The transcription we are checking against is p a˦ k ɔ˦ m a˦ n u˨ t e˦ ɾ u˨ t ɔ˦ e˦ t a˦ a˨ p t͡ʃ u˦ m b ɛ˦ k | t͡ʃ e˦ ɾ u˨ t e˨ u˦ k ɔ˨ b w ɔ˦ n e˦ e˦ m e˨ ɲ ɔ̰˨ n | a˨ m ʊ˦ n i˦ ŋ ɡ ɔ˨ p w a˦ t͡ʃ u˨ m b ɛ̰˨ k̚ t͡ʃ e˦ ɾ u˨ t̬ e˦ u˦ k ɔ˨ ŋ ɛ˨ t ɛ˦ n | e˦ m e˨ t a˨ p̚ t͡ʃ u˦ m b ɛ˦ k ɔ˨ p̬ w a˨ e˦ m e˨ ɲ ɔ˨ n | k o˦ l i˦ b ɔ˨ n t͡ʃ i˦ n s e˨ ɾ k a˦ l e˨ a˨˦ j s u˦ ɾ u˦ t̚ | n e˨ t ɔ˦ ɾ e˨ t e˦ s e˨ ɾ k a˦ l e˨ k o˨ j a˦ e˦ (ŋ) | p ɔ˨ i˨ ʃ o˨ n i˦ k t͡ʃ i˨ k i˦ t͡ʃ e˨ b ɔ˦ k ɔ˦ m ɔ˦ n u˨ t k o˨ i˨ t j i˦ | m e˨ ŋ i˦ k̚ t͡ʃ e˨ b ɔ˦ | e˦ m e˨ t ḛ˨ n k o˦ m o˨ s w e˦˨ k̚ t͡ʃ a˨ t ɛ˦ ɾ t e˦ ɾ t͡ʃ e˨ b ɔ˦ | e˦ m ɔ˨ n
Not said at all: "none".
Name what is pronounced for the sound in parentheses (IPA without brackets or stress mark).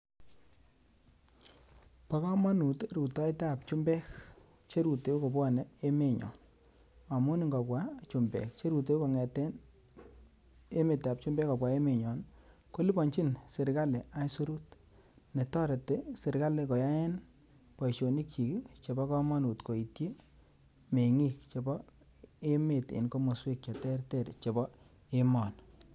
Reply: n